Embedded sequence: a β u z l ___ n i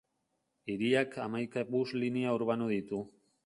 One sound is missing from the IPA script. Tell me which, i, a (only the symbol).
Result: i